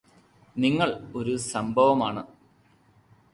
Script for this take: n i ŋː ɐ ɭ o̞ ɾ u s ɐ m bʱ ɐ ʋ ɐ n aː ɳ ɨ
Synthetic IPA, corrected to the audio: n i ŋː ɐ ɭ o̞ ɾ u s ɐ m bʱ ɐ ʋ ɐ m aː ɳ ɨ